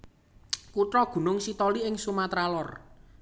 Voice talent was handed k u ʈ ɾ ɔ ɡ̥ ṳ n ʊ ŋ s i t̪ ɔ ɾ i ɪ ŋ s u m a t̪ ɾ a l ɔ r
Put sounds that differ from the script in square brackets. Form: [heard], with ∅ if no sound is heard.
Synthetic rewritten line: k u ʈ ɾ ɔ ɡ̥ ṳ n ʊ ŋ s i t̪ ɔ [l] i ɪ ŋ s u m a t̪ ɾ a l ɔ r